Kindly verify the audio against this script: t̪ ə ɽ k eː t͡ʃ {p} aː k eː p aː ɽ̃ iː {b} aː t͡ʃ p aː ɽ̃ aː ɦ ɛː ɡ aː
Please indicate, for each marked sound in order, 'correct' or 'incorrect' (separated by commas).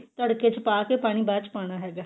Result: correct, correct